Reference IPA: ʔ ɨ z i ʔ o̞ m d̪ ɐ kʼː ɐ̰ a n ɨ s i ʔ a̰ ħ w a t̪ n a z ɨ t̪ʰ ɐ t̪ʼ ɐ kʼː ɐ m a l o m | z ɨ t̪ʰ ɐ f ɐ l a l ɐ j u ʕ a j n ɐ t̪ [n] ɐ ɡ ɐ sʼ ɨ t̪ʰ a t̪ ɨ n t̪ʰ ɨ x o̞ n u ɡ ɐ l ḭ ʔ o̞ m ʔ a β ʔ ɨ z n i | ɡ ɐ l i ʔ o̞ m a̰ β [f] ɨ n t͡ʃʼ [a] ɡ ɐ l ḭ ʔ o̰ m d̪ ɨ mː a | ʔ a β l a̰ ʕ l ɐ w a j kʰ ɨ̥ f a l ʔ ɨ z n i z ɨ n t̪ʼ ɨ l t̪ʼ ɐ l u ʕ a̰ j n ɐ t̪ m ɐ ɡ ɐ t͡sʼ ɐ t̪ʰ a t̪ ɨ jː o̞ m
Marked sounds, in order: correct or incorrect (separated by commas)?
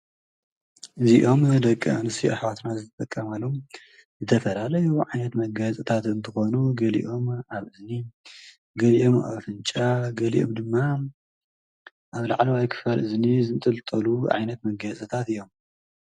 incorrect, correct, correct